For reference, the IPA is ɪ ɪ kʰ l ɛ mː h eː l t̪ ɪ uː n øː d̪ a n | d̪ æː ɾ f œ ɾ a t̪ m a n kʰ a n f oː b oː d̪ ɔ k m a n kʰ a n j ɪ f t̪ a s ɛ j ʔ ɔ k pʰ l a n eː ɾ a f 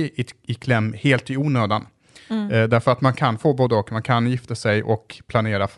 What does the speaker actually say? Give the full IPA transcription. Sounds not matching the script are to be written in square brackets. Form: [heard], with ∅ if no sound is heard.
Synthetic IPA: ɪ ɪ kʰ l ɛ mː h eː l t̪ ɪ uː n øː d̪ a n | d̪ [æ] ɾ f œ ɾ a t̪ m a n kʰ a n f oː b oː d̪ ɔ k m a n kʰ a n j ɪ f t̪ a s ɛ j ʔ ɔ k pʰ l a n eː ɾ a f